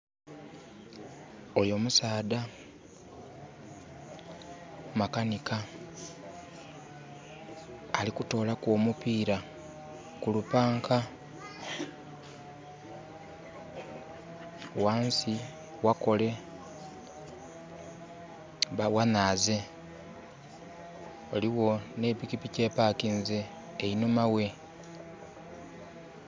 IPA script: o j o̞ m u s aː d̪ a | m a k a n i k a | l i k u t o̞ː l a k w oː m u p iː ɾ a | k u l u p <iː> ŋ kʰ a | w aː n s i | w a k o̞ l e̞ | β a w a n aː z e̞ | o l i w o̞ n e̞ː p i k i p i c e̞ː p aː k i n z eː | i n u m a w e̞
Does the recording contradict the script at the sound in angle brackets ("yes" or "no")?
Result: yes